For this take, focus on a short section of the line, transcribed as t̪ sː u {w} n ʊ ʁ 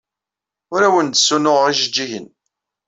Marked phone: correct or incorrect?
incorrect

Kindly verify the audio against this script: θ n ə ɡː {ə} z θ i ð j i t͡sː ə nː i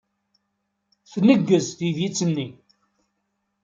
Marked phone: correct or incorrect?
correct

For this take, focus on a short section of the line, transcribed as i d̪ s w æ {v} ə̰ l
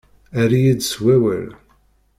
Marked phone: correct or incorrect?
incorrect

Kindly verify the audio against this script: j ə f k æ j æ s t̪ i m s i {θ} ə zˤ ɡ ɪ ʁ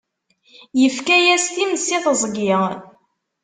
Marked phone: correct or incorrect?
correct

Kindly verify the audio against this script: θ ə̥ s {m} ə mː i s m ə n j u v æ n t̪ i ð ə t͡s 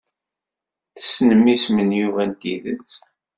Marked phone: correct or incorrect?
incorrect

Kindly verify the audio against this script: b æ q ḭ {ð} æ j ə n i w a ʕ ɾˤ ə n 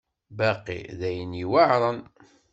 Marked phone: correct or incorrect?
correct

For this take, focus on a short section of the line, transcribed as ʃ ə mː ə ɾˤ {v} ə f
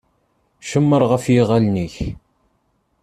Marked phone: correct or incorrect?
incorrect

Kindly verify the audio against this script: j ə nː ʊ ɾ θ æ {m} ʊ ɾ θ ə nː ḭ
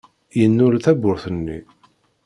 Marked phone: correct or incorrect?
incorrect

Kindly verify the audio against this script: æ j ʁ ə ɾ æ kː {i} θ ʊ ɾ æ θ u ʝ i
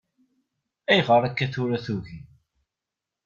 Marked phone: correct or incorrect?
incorrect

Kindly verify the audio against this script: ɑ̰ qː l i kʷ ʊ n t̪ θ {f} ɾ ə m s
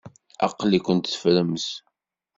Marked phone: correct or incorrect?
correct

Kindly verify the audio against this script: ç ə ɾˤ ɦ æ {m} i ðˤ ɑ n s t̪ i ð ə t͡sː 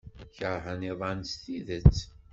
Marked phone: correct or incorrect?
incorrect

